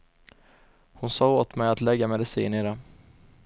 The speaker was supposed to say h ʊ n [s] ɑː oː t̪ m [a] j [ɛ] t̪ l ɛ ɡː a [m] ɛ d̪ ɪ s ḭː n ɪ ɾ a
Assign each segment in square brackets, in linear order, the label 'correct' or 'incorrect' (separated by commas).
correct, incorrect, incorrect, correct